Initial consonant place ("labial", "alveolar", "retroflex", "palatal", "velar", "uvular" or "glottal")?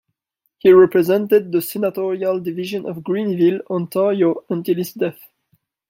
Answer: glottal